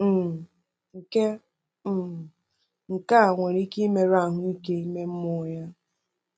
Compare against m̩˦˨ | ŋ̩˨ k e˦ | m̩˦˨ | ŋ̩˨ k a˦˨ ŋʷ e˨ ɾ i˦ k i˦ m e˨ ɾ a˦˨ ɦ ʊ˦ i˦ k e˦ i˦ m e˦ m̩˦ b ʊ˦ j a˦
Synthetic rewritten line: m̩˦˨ | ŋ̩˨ k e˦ | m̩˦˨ | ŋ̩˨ k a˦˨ ŋʷ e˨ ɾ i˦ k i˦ m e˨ ɾ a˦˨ ɦ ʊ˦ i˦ k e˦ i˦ m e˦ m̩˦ m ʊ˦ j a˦